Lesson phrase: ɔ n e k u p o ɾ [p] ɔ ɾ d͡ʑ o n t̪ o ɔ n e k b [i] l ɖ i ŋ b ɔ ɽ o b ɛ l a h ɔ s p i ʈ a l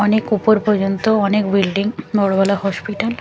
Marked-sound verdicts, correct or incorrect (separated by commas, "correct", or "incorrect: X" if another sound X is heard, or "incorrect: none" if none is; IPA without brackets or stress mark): correct, correct